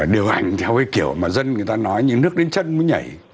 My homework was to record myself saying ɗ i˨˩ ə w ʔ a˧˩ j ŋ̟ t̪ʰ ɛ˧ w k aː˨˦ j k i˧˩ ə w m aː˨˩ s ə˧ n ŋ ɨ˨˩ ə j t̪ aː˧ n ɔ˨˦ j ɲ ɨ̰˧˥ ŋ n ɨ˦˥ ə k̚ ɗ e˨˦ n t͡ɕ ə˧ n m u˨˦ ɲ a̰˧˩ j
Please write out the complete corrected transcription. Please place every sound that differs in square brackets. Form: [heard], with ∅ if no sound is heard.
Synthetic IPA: ɗ i˨˩ ə w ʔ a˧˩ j ŋ̟ t̪ʰ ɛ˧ w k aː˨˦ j k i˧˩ ə w m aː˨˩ [z] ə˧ n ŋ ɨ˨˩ ə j t̪ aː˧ n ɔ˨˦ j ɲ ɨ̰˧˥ ŋ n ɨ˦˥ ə k̚ ɗ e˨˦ n t͡ɕ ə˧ n m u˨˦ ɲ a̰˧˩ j